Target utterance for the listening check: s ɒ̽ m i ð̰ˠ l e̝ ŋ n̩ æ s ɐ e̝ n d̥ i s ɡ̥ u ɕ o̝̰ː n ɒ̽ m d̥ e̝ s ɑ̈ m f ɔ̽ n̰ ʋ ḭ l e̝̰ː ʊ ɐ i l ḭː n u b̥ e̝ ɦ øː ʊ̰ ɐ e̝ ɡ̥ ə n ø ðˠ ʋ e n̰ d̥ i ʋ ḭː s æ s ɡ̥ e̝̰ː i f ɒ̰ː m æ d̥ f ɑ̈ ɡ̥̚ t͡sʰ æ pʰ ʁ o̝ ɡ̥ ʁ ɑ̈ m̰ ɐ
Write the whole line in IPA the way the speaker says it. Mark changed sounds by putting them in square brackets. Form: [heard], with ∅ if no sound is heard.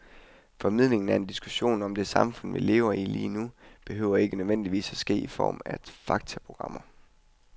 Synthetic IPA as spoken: [f] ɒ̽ m i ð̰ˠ l e̝ ŋ n̩ æ [∅] ɐ e̝ n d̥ i s ɡ̥ u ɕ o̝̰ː n ɒ̽ m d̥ e̝ s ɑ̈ m f ɔ̽ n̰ ʋ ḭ l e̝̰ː ʊ ɐ i l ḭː n u b̥ e̝ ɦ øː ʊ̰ ɐ e̝ ɡ̥ ə n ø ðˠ ʋ e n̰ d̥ i ʋ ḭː s æ s ɡ̥ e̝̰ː i f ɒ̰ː m æ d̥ f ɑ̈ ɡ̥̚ t͡sʰ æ pʰ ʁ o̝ ɡ̥ ʁ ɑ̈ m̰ ɐ